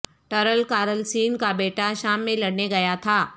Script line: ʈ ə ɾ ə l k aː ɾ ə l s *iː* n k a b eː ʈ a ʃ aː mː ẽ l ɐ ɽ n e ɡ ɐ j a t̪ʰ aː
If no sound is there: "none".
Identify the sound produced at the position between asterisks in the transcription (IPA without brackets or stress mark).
iː